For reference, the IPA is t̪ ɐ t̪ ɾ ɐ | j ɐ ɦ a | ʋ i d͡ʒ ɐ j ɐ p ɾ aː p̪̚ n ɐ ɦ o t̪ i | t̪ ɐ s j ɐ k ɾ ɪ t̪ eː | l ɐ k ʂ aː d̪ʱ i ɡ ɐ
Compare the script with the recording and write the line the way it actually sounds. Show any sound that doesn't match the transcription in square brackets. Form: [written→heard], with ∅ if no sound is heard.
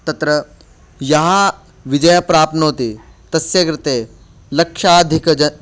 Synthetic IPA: t̪ ɐ t̪ ɾ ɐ | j ɐ ɦ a | ʋ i d͡ʒ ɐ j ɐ p ɾ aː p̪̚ n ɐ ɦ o t̪ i | t̪ ɐ s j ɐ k ɾ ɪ t̪ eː | l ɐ k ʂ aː d̪ʱ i [ɡ→k] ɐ